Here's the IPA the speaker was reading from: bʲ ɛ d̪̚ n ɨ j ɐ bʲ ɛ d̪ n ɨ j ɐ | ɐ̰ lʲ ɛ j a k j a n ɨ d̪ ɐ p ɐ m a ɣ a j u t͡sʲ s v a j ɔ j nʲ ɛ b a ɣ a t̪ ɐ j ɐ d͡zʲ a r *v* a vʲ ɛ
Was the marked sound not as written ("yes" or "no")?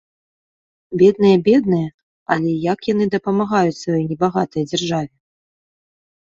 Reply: yes